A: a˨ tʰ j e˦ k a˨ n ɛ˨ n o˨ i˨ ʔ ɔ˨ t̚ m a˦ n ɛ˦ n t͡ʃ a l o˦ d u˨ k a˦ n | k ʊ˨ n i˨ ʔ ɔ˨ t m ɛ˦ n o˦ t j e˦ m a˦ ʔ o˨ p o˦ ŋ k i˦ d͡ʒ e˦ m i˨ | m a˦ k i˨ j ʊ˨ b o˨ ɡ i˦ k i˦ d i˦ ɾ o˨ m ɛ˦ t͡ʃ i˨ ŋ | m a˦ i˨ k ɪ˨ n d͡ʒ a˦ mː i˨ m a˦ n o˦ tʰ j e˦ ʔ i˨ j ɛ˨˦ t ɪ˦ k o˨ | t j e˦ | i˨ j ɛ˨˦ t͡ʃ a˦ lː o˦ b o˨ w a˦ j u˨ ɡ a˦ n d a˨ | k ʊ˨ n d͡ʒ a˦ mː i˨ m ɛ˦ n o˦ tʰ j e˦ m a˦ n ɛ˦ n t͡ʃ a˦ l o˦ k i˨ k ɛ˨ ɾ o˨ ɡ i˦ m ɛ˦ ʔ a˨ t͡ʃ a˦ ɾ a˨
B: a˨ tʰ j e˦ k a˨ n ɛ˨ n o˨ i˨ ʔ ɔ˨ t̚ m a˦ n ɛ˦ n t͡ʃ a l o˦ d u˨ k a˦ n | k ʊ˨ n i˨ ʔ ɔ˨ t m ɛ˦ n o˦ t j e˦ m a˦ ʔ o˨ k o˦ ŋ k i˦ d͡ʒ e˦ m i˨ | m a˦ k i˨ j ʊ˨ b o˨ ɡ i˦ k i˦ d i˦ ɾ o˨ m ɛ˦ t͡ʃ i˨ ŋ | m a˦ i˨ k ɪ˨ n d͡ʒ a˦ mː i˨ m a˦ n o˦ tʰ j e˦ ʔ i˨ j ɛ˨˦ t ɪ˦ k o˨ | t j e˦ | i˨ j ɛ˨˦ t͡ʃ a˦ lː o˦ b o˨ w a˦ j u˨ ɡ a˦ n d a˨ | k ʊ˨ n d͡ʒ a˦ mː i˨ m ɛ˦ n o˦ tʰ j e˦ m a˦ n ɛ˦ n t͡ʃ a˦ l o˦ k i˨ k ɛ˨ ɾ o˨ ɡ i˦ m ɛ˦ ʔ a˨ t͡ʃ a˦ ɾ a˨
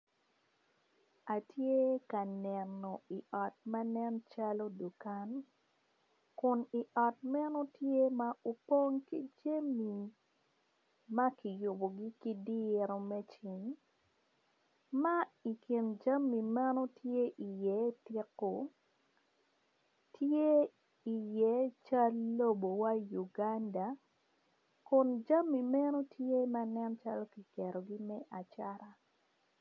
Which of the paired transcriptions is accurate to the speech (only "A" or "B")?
A